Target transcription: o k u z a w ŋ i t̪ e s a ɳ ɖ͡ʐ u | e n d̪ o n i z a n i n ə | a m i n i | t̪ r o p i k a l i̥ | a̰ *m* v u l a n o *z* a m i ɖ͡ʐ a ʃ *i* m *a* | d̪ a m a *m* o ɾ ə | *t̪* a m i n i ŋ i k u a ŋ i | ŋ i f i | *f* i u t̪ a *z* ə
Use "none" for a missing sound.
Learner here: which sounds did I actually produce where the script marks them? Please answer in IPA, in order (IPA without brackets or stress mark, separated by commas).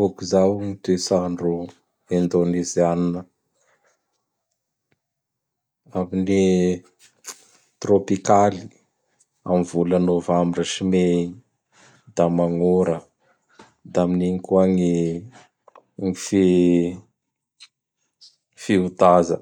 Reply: m, v, i, e, ŋ, d̪, f, z